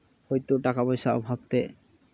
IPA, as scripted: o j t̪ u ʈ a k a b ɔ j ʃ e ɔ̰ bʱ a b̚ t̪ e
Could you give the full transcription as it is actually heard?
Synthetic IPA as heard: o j t̪ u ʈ a k a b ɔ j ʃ a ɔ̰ bʱ a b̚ t̪ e